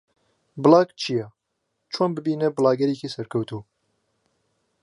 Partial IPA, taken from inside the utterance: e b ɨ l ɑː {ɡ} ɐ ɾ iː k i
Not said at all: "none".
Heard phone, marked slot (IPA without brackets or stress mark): ɡ